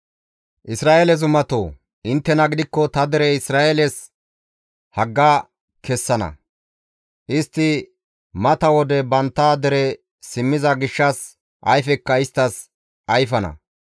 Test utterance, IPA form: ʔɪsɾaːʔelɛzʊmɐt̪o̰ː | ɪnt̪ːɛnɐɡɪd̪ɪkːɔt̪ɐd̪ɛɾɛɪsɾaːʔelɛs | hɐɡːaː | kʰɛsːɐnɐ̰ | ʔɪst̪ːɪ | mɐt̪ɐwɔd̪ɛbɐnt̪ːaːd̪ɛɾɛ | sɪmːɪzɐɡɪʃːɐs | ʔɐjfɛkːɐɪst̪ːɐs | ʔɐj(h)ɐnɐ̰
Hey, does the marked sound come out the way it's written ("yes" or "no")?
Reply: no